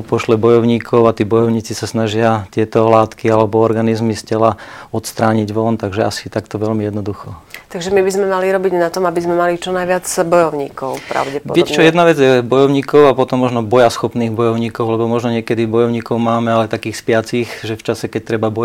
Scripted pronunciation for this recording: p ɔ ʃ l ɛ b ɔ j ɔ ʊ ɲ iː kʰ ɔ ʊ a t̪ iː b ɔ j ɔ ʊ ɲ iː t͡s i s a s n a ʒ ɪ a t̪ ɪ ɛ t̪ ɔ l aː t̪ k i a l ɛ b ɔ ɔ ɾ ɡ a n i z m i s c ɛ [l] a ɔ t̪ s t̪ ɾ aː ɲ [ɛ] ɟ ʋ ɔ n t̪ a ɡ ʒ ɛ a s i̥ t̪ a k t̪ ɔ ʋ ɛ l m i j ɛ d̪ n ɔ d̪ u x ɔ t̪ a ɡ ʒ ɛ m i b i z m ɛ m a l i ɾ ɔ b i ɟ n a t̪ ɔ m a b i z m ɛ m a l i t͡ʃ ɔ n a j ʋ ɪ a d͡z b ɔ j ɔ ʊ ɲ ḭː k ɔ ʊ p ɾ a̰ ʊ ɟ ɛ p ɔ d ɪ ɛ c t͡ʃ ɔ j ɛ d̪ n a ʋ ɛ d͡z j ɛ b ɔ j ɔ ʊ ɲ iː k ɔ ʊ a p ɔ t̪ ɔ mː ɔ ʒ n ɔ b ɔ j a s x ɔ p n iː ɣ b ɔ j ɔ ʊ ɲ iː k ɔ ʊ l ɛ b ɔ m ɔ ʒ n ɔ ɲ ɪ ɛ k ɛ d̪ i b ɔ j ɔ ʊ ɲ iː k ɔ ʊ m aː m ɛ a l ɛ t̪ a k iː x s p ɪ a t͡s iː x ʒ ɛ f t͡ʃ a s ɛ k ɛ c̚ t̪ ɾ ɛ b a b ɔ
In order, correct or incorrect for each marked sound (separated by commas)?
correct, incorrect